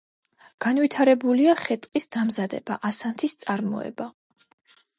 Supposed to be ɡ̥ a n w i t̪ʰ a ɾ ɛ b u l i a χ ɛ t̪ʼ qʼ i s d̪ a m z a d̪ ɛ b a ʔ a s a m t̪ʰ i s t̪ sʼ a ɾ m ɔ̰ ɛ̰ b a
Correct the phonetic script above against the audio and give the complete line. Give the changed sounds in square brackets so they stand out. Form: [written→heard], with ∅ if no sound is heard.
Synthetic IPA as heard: ɡ̥ a n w i t̪ʰ a ɾ ɛ b u l i a χ ɛ t̪ʼ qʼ i s d̪ a m z a d̪ ɛ b a ʔ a s a [m→n] t̪ʰ i s t̪ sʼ a ɾ m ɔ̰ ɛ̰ b a